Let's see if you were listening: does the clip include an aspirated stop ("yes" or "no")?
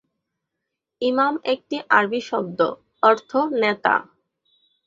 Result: yes